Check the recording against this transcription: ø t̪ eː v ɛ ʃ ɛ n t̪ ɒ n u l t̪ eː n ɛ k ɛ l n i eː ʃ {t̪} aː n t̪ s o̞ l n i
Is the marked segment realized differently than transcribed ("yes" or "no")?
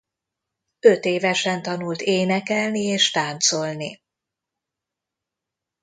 no